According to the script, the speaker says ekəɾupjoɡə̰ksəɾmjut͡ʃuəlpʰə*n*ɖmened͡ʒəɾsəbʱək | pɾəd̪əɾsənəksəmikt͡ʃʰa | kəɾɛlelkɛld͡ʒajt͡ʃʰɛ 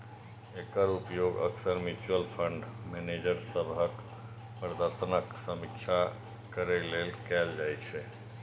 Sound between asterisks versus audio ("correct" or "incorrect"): incorrect